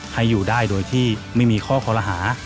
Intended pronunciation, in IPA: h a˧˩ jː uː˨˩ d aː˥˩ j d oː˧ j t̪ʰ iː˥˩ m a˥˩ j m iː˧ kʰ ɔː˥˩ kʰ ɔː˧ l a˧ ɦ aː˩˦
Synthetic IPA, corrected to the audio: h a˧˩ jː uː˨˩ d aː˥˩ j d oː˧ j t̪ʰ iː˥˩ m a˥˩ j m iː˧ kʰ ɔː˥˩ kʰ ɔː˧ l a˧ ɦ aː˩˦